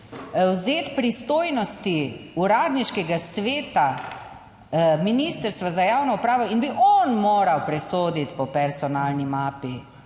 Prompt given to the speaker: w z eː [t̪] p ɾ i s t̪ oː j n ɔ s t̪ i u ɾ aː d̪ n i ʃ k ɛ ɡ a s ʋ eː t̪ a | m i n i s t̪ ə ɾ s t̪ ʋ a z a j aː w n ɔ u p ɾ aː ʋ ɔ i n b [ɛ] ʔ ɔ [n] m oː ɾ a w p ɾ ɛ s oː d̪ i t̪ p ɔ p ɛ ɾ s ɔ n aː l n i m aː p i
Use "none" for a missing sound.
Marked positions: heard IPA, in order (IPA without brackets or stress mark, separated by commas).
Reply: t̪, i, n